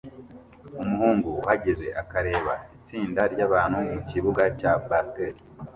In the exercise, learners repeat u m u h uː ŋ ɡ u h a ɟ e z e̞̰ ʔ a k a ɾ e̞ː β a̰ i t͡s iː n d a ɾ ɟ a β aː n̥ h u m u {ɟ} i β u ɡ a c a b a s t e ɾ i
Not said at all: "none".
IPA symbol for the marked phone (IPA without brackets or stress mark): c